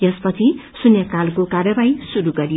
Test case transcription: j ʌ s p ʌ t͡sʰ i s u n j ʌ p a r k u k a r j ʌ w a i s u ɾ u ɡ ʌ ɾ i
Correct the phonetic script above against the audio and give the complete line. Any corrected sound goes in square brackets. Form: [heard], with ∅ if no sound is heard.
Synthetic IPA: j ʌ s p ʌ t͡sʰ i s u n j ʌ [k] a [l] k [o] k a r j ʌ [b] a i s u ɾ u ɡ ʌ ɾ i